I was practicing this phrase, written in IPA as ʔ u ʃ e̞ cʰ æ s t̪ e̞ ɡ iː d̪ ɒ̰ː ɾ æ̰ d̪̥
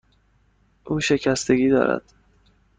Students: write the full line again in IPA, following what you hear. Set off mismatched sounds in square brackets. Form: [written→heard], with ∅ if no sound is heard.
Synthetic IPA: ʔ [u→uː] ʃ e̞ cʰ æ s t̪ e̞ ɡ iː d̪ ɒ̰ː ɾ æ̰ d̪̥